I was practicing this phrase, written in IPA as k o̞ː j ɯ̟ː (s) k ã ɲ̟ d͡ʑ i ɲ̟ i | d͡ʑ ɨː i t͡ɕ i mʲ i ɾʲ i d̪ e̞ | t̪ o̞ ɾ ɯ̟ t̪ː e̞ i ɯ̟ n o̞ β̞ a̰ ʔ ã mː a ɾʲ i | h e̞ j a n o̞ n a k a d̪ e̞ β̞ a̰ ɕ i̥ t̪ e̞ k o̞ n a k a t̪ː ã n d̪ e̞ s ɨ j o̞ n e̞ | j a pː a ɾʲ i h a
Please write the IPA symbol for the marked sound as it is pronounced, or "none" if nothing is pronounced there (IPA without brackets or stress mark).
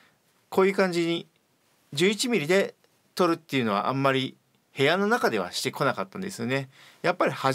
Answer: none